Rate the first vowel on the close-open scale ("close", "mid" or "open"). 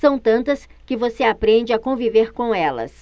open